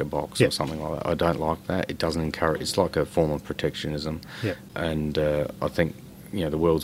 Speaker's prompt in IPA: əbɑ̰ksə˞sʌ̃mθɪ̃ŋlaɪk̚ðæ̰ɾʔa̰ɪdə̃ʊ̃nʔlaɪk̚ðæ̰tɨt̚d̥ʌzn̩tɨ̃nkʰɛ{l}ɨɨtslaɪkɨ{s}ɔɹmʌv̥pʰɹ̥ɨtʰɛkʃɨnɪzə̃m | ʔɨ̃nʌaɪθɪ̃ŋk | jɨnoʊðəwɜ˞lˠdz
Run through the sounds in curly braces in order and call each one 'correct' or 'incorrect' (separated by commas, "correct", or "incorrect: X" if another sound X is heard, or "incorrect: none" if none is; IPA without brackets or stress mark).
incorrect: ɹ, incorrect: f